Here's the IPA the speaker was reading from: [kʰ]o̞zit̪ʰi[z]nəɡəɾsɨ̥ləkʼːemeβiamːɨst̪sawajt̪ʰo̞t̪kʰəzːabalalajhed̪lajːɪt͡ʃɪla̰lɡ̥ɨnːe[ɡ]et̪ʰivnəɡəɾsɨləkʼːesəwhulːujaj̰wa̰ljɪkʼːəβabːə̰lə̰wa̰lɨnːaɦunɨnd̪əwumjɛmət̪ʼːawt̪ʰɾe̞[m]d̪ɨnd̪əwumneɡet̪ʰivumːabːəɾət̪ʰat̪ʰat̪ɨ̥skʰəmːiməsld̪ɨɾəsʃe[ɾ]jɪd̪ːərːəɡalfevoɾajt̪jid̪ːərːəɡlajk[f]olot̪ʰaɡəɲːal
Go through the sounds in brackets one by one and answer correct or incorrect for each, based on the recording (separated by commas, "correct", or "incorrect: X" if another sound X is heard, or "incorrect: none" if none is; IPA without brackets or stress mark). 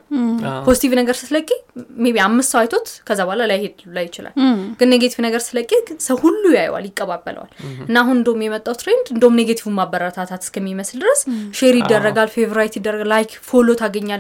incorrect: pʰ, incorrect: v, correct, incorrect: n, correct, correct